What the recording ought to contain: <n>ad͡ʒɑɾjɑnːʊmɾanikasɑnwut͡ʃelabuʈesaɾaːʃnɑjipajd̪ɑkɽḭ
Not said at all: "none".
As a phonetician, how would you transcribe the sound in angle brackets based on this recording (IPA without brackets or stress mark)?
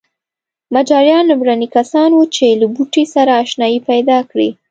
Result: m